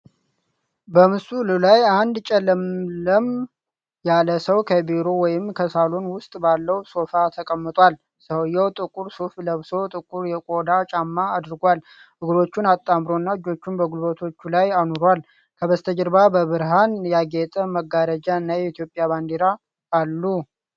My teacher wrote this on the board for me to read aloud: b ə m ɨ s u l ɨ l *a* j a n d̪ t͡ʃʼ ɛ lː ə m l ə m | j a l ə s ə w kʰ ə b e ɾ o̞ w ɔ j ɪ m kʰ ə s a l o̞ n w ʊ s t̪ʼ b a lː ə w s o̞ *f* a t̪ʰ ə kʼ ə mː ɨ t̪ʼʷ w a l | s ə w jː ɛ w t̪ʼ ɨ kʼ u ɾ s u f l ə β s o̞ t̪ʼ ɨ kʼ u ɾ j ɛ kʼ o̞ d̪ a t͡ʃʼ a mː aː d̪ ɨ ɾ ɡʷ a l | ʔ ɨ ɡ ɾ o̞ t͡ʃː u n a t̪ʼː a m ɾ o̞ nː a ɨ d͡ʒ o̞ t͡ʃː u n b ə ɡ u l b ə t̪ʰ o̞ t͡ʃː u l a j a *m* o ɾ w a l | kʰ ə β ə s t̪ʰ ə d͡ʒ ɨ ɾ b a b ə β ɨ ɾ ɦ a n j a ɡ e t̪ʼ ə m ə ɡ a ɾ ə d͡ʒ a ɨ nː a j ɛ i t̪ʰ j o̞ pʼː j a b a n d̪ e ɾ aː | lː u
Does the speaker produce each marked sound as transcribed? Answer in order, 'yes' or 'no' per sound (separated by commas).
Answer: yes, yes, no